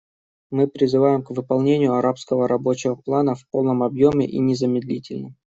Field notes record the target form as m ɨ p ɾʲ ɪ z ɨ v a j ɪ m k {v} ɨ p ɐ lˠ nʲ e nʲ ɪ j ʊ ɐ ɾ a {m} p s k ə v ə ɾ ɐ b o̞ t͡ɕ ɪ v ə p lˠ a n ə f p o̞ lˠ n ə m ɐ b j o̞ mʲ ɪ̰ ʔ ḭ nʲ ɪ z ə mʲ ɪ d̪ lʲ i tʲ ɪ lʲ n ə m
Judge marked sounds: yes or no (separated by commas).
yes, no